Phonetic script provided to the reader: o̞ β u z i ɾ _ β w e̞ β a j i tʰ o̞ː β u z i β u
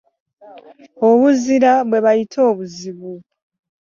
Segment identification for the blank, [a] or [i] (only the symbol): a